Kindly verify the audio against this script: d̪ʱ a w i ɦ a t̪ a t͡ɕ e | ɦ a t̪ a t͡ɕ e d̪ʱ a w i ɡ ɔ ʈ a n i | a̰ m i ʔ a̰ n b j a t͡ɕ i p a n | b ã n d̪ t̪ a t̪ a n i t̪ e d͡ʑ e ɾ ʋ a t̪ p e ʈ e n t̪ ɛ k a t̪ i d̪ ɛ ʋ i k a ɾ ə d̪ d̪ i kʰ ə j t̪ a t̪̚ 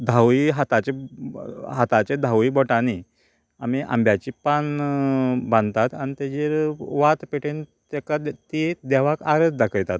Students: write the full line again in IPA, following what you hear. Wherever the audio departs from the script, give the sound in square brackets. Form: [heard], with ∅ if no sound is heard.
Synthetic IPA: d̪ʱ a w i ɦ a t̪ a t͡ɕ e | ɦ a t̪ a t͡ɕ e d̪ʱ a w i [b] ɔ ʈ a n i | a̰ m i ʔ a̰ [m] b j a t͡ɕ i p a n | b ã n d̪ t̪ a t̪ a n i t̪ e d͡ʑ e ɾ ʋ a t̪ p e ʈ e n t̪ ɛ k a t̪ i d̪ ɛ ʋ [a] k a ɾ ə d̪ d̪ [a] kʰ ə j t̪ a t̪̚